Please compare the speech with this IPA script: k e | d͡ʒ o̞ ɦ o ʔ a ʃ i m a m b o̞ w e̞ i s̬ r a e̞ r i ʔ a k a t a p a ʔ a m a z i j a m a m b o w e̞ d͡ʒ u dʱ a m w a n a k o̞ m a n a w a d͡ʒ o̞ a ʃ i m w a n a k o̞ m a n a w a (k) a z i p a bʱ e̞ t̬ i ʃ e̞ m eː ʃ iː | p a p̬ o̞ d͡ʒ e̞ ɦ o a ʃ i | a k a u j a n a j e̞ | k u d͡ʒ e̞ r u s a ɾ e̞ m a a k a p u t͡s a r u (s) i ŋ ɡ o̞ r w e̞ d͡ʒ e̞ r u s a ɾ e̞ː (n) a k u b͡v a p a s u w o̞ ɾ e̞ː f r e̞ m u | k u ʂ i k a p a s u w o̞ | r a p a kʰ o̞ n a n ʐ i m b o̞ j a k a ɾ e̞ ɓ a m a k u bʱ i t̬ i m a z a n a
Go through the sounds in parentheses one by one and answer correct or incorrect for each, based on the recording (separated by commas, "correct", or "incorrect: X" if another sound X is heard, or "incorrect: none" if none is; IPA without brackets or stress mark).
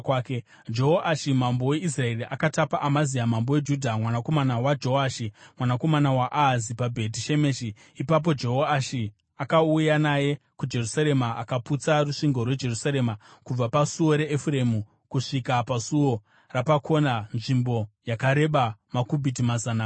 incorrect: ʔ, incorrect: ʂ, incorrect: m